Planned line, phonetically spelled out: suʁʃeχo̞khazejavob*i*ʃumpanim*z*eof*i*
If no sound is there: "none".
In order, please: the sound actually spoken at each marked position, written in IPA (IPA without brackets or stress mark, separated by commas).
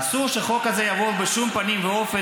e, v, e